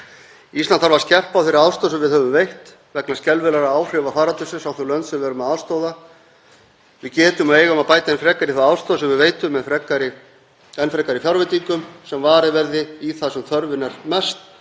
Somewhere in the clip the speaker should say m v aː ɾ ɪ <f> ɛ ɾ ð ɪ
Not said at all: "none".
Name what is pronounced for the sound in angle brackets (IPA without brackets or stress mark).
v